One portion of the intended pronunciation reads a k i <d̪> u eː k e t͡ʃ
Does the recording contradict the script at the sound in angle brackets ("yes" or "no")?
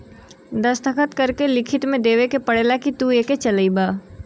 yes